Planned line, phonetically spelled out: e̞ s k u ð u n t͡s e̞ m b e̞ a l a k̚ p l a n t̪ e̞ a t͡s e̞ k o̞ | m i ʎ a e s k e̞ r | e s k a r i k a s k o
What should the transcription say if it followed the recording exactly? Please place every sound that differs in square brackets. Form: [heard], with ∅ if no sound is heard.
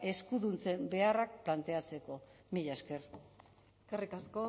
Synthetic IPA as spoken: e̞ s k u ð u n t͡s e̞ m b e̞ a [r] a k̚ p l a n t̪ e̞ a t͡s e̞ k o̞ | m i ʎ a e s k e̞ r | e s k a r i k a s k o